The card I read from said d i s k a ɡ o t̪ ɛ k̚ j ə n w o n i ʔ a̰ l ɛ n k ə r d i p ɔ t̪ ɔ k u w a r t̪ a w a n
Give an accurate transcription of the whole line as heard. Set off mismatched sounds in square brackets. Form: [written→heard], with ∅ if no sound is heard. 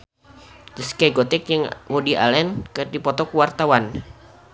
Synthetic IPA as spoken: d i s k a ɡ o t̪ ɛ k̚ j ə [n→ŋ] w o [n→d] i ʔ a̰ l ɛ n k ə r d i p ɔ t̪ ɔ k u w a r t̪ a w a n

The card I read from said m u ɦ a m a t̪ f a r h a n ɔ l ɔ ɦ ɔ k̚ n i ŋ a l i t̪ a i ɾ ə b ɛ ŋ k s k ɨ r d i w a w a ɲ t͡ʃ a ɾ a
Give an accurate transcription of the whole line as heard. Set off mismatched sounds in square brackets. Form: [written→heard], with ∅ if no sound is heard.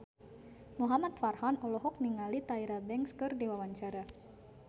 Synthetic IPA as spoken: m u ɦ a m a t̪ f a r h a n ɔ l ɔ ɦ ɔ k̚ n i ŋ a l i t̪ a i ɾ [ə→a] b ɛ ŋ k s k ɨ r d i w a w a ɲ t͡ʃ a ɾ a

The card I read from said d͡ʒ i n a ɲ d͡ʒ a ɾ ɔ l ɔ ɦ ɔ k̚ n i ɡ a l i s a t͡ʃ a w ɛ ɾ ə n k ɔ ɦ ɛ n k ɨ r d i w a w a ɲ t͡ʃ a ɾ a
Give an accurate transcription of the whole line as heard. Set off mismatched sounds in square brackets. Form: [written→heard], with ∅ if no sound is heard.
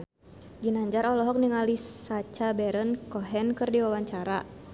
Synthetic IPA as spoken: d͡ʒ i n a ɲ d͡ʒ a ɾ ɔ l ɔ ɦ ɔ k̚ n i [ɡ→ŋ] a l i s a t͡ʃ a [w→b] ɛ ɾ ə n k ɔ ɦ ɛ n k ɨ r d i w a w a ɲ t͡ʃ a ɾ a

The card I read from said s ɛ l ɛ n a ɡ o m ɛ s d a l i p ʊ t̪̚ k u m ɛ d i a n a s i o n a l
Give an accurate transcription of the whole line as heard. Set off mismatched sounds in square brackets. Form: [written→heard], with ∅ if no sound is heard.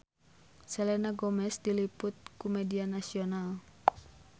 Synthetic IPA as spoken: s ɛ l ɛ n a ɡ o m ɛ s d [a→i] l i p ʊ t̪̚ k u m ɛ d i a n a s i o n a l

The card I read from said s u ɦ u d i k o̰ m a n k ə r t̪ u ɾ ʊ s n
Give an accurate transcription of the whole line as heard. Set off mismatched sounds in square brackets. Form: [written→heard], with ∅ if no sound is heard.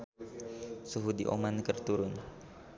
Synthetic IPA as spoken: s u ɦ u d i [k→ʔ] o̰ m a n k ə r t̪ u ɾ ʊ [s→∅] n

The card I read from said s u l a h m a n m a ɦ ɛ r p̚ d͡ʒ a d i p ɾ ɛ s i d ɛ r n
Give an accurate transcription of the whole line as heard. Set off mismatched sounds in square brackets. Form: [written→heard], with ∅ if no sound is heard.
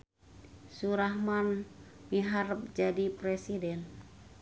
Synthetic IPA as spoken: s u [l→ɾ] a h m a n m [a→i] ɦ [ɛ→a] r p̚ d͡ʒ a d i p ɾ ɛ s i d ɛ [r→∅] n

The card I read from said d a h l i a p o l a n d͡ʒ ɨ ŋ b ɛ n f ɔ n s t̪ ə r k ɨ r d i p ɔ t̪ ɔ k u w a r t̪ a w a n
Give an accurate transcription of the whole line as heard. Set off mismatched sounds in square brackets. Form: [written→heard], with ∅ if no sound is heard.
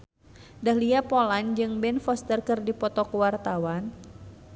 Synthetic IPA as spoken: d a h l i a p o l a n d͡ʒ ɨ ŋ b ɛ n f ɔ [n→∅] s t̪ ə r k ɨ r d i p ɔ t̪ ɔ k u w a r t̪ a w a n

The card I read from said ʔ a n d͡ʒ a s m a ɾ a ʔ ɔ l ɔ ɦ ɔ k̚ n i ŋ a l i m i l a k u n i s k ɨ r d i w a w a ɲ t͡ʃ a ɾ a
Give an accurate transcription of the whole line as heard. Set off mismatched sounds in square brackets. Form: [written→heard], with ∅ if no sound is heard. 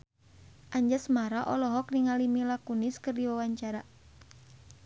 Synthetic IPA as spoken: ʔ a [n→ɲ] d͡ʒ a s m a ɾ a ʔ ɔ l ɔ ɦ ɔ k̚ n i ŋ a l i m i l a k u n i s k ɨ r d i w a w a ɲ t͡ʃ a ɾ a

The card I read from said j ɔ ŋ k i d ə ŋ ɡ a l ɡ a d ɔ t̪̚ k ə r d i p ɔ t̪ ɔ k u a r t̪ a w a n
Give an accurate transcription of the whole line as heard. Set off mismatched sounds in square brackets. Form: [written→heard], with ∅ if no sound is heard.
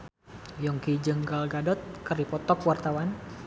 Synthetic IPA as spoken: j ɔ ŋ k i [d→d͡ʒ] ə ŋ ɡ a l ɡ a d ɔ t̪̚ k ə r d i p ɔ t̪ ɔ k [u→w] a r t̪ a w a n

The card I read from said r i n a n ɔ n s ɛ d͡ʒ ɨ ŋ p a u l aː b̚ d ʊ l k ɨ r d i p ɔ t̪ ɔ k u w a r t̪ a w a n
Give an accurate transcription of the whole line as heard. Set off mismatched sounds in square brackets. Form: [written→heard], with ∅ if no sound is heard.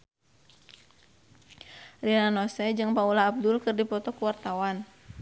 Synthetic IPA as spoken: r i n a n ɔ [n→∅] s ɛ d͡ʒ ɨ ŋ p a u l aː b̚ d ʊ l k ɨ r d i p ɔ t̪ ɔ k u w a r t̪ a w a n

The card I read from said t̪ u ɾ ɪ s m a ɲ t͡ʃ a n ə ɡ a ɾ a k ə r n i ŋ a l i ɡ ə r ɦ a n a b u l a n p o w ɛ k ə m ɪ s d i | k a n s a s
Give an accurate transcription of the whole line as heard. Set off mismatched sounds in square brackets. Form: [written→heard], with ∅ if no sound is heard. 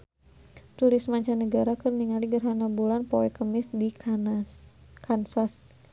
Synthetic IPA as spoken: t̪ u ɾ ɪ s m a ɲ t͡ʃ a n ə ɡ a ɾ a k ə r n i ŋ a l i ɡ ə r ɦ a n a b u l a n p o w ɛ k ə m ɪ s d i | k a n s a s

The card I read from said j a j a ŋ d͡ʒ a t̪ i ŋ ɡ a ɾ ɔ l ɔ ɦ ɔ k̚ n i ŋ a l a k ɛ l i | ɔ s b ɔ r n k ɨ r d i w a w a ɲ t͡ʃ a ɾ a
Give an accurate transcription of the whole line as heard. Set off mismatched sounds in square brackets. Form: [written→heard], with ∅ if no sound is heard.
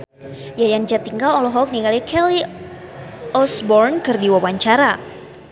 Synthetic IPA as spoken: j a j a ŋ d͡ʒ a t̪ i ŋ ɡ a [ɾ→l] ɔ l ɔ ɦ ɔ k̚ n i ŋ a l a k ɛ l i | ɔ s b ɔ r n k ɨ r d i w a w a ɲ t͡ʃ a ɾ a

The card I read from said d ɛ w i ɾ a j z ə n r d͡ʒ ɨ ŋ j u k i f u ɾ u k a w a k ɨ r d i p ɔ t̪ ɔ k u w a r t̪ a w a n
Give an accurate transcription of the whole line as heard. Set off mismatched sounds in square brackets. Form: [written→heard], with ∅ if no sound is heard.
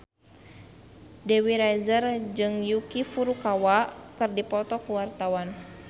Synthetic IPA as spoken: d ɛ w i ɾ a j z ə [n→∅] r d͡ʒ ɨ ŋ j u k i f u ɾ u k a w a k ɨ r d i p ɔ t̪ ɔ k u w a r t̪ a w a n

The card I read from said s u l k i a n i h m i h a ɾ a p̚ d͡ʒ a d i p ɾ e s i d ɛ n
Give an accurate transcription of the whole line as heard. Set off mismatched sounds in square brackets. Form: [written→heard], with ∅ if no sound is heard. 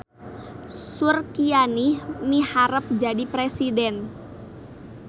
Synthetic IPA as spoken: s u [l→r] k i a n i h m i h a ɾ [a→ə] p̚ d͡ʒ a d i p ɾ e s i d ɛ n

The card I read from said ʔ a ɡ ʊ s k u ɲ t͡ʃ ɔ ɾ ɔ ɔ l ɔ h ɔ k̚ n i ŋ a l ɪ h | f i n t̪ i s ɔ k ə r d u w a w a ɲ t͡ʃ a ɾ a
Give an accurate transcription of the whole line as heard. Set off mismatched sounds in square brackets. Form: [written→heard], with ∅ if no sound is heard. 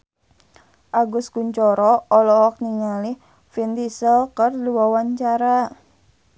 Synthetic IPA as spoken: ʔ a ɡ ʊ s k u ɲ t͡ʃ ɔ ɾ ɔ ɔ l ɔ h ɔ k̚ n i ŋ a l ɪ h | f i n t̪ i s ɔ k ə r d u w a w a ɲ t͡ʃ a ɾ a

